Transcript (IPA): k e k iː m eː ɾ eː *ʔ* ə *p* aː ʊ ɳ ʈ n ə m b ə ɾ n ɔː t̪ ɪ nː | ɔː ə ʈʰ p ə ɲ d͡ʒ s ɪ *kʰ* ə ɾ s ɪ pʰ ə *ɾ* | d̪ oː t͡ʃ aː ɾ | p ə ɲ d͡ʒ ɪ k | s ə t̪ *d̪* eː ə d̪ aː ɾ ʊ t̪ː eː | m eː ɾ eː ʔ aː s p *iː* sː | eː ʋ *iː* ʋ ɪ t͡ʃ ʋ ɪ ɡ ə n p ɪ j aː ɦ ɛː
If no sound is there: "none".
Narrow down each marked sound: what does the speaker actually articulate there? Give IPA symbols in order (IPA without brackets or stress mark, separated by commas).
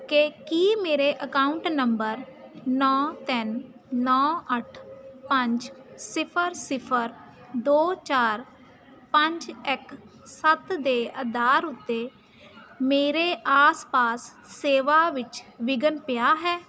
ʔ, k, pʰ, ɾ, d̪, aː, aː